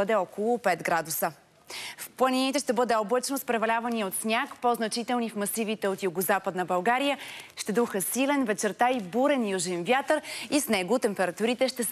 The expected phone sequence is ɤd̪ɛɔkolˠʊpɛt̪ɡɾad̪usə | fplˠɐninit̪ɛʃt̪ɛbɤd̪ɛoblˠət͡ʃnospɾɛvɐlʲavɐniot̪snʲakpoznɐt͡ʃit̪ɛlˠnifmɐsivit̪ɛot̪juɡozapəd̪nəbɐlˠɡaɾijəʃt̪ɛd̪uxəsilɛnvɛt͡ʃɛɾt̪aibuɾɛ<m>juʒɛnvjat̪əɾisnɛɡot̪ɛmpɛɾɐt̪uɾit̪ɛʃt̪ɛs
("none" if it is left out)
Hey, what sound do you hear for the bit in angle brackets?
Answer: n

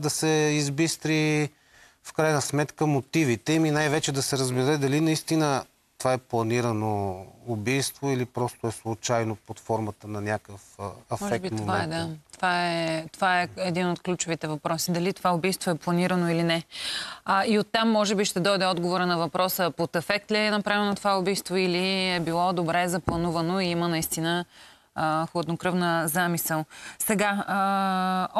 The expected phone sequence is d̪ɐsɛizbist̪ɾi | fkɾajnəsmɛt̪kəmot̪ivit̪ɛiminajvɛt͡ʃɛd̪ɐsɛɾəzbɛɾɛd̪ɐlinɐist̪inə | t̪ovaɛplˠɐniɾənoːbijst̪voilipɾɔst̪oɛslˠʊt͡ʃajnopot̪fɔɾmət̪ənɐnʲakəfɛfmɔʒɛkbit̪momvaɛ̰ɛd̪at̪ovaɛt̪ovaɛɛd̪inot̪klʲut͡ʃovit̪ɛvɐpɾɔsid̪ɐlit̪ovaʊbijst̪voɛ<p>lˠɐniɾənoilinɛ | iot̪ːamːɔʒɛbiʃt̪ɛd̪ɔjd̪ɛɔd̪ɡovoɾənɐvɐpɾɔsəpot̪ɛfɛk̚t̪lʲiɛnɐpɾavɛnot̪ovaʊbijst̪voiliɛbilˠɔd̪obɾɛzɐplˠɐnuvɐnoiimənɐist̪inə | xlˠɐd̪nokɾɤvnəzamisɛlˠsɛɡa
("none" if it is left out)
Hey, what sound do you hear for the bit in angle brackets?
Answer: p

